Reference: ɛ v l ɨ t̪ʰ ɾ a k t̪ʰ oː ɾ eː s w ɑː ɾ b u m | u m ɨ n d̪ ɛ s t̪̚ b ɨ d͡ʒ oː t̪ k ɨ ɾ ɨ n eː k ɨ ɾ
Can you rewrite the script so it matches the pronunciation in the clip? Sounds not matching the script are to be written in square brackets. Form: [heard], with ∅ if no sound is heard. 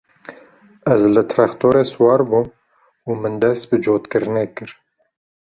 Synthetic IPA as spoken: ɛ [z] l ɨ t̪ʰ ɾ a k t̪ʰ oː ɾ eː s w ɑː ɾ b u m | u m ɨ n d̪ ɛ s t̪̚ b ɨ d͡ʒ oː t̪ k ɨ ɾ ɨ n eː k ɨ ɾ